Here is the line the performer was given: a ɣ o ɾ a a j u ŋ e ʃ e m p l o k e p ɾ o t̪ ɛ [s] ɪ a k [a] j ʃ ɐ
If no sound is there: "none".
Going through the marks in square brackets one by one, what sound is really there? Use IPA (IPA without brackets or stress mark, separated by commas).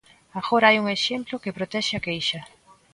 ʃ, e